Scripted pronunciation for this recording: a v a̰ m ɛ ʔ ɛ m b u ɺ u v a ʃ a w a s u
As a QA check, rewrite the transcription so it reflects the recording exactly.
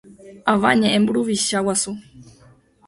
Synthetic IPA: a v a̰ ɲ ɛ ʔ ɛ m b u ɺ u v i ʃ a w a s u